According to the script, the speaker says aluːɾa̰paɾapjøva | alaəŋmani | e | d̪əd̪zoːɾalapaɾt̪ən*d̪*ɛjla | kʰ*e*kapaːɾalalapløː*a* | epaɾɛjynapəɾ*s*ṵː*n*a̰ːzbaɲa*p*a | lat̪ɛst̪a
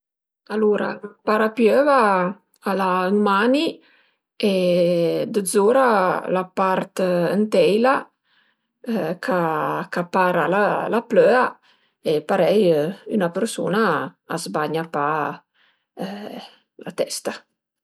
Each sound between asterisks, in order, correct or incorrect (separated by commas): incorrect, incorrect, correct, correct, correct, correct